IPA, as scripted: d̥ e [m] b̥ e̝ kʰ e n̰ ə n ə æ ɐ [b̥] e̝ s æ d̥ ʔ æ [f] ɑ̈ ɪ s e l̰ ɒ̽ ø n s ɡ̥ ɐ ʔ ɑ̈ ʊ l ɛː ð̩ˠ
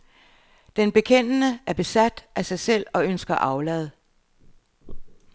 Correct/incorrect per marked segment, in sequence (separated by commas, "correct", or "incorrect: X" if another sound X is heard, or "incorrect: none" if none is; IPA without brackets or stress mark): incorrect: n, correct, incorrect: s